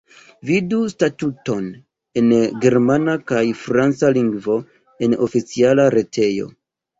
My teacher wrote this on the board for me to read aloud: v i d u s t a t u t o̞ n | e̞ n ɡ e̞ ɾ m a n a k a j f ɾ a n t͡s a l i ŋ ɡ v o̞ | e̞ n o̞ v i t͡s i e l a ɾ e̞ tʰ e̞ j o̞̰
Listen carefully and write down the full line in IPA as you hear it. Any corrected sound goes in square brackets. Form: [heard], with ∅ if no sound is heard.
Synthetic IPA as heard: v i d u s t a t u t o̞ n | e̞ n ɡ e̞ ɾ m a n a k a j f ɾ a n t͡s a l i ŋ ɡ v o̞ | e̞ n o̞ [f] i t͡s i [a] l a ɾ e̞ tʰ e̞ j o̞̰

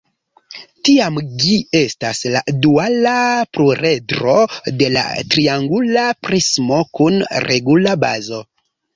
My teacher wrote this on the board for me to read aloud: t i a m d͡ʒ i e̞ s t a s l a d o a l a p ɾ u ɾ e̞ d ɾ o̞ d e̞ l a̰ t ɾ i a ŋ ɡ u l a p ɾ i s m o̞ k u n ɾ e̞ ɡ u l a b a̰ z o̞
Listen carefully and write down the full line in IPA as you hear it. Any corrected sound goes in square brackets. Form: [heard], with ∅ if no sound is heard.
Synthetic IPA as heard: t i a m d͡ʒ i e̞ s t a s l a d [u] a l a p ɾ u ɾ e̞ d ɾ o̞ d e̞ l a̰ t ɾ i a ŋ ɡ u l a p ɾ i s m o̞ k u n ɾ e̞ ɡ u l a b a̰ z o̞

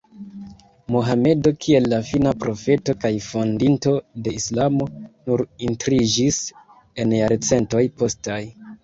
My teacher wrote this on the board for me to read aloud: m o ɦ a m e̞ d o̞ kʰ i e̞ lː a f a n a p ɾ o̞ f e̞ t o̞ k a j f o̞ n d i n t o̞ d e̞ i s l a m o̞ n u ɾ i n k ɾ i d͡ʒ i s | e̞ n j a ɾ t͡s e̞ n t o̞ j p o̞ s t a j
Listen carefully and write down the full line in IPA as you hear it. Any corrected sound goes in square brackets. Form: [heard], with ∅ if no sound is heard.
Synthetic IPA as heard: m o ɦ a m e̞ d o̞ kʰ i e̞ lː a f [i] n a p ɾ o̞ f e̞ t o̞ k a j f o̞ n d i n t o̞ d e̞ i s l a m o̞ n u ɾ i n [t] ɾ i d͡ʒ i s | e̞ n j a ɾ t͡s e̞ n t o̞ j p o̞ s t a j

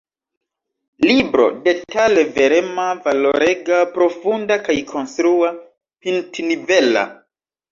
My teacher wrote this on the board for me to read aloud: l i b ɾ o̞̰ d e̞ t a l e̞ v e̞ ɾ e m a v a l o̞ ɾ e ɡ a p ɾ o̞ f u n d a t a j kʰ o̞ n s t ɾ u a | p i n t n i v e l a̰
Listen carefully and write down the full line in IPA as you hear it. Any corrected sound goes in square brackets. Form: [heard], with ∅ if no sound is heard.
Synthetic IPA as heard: l i b ɾ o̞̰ d e̞ t a l e̞ v e̞ ɾ e m a v a l o̞ ɾ e ɡ a p ɾ o̞ f u n d a [k] a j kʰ o̞ n s t ɾ u a | p i n t n i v e l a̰

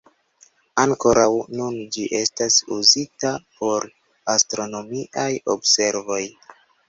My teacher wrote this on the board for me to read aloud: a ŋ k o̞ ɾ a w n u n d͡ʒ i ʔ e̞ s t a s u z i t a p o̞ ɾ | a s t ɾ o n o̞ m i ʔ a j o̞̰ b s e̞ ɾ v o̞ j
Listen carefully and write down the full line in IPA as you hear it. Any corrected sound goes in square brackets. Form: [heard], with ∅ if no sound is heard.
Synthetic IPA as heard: a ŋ k o̞ ɾ a w n u n d͡ʒ i ʔ e̞ s t a s u z i t a p o̞ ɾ | a s t ɾ o n o̞ m i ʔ a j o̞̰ b s e̞ ɾ v o̞ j

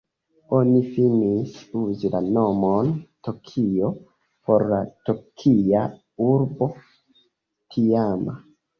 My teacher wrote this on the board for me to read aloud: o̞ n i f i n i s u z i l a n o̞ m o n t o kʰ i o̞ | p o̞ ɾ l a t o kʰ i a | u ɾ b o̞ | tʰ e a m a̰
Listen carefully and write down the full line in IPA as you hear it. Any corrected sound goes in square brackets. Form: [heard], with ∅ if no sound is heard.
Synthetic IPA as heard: o̞ n i f i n i s u z i l a n o̞ m o n t o kʰ i o̞ | p o̞ ɾ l a t o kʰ i a | u ɾ b o̞ | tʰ [i] a m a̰

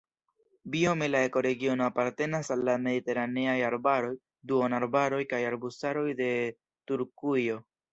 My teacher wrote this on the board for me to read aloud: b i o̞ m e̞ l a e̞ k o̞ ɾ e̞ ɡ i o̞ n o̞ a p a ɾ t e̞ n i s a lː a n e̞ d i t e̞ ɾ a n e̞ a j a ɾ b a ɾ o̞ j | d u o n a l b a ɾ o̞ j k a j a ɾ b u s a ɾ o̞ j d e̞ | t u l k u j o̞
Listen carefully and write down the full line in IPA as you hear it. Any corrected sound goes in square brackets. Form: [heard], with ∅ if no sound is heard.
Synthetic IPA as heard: b i o̞ m e̞ l a e̞ k o̞ ɾ e̞ ɡ i o̞ n o̞ a p a ɾ t e̞ n [a] s a lː a [m] e̞ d i t e̞ ɾ a n e̞ a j a ɾ b a ɾ o̞ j | d u o n a [ɾ] b a ɾ o̞ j k a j a ɾ b u s a ɾ o̞ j d e̞ | t u [ɾ] k u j o̞

